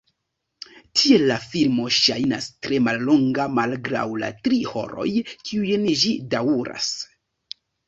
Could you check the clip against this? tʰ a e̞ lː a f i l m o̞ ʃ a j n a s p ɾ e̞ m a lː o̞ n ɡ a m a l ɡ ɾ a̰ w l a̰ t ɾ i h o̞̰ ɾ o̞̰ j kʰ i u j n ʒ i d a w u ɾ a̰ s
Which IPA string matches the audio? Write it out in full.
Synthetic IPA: tʰ i e̞ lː a f i l m o̞ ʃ a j n a s t ɾ e̞ m a lː o̞ ŋ ɡ a m a l ɡ ɾ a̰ w l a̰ t ɾ i h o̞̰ ɾ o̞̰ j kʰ i u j n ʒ i d a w u ɾ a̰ s